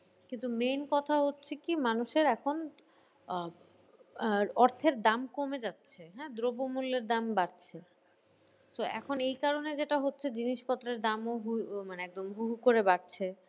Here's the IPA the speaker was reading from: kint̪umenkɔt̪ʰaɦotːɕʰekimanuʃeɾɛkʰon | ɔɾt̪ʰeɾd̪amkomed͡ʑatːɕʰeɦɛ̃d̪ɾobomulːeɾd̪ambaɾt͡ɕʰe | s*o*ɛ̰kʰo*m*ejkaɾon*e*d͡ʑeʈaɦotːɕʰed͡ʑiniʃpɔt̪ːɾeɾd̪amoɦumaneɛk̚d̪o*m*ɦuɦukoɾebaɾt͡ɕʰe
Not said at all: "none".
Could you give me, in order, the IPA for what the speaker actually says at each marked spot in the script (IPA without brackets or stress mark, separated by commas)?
o, n, e, m